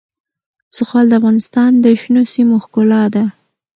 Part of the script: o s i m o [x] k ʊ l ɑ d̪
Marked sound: correct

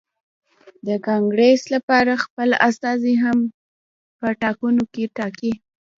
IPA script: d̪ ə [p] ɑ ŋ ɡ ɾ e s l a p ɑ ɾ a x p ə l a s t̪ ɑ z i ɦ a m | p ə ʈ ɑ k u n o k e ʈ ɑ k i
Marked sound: incorrect: k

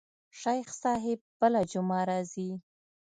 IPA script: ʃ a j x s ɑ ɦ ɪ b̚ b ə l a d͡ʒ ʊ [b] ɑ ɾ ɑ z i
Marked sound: incorrect: m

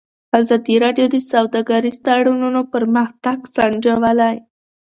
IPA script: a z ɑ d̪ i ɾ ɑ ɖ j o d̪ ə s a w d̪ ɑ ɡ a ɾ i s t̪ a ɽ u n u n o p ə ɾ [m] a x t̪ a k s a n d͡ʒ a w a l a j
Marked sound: correct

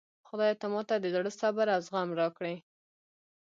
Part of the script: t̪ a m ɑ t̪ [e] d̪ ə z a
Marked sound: incorrect: a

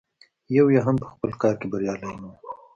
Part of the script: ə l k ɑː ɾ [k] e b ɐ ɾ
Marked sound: correct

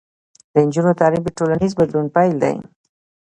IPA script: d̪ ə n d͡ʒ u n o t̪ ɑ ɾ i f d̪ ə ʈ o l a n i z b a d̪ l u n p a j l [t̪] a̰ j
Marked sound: incorrect: d̪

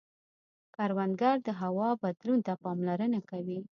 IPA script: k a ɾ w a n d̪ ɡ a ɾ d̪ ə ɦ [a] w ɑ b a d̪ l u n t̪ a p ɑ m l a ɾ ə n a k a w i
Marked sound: correct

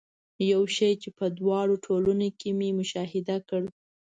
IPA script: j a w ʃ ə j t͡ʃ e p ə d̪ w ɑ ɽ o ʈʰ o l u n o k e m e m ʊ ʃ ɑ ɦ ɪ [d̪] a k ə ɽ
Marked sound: correct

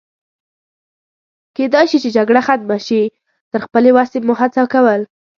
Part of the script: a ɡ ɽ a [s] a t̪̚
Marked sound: incorrect: x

